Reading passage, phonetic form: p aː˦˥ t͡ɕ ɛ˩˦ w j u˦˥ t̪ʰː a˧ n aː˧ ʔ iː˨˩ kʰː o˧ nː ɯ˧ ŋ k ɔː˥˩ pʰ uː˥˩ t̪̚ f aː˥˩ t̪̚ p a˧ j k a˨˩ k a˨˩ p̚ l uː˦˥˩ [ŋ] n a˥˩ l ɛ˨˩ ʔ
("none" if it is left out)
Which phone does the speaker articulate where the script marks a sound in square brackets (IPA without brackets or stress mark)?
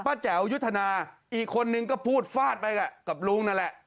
ŋ